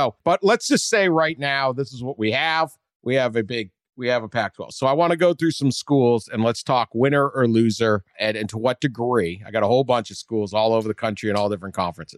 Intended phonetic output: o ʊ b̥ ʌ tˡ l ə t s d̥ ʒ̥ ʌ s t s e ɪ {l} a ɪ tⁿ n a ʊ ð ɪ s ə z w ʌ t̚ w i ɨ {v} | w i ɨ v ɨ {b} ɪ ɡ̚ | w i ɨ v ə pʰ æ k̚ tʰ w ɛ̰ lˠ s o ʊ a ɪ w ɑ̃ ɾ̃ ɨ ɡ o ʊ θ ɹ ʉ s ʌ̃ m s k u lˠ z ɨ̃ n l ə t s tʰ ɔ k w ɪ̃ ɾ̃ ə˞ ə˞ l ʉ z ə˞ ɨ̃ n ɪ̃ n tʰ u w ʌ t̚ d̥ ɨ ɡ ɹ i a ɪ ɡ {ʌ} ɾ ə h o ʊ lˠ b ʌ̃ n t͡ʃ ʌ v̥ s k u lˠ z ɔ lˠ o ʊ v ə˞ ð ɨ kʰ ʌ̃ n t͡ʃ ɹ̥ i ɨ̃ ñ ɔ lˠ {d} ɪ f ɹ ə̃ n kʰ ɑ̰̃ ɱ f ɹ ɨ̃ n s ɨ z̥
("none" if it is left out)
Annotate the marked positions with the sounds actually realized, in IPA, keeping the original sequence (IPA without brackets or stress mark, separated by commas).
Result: ɹ, v, b, ɑ, d